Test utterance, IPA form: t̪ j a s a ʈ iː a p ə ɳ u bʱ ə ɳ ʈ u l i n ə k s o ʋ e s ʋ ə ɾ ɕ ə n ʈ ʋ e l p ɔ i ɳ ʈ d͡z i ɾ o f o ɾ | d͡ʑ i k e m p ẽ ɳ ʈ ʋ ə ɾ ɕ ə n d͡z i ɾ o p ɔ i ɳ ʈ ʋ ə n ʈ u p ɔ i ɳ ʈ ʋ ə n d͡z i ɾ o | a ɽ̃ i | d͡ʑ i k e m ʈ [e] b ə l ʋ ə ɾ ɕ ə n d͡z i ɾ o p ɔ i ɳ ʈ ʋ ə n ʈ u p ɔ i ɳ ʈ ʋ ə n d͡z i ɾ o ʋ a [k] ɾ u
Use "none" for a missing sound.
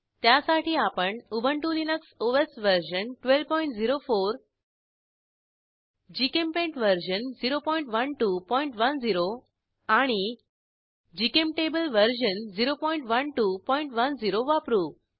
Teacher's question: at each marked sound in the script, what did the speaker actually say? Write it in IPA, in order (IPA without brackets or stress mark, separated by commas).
e, p